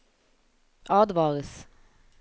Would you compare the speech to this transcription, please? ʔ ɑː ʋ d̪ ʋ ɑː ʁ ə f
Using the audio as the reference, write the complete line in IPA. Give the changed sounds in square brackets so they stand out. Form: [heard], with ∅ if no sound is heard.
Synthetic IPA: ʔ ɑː [∅] d̪ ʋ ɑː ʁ ə [s]